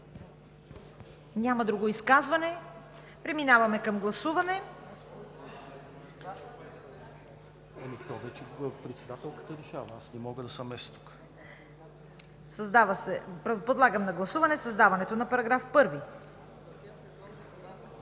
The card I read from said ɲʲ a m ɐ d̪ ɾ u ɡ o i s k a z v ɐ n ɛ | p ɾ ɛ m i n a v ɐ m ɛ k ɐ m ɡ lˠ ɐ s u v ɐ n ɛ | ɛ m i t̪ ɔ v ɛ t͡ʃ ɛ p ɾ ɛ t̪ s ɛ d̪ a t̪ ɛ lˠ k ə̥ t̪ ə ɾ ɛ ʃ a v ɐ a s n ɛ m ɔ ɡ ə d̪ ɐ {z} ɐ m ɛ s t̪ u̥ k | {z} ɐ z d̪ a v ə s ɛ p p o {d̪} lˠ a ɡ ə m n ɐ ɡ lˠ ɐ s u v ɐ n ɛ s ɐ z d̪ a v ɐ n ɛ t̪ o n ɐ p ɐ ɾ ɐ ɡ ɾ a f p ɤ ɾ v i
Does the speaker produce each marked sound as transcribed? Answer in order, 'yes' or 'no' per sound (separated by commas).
no, no, yes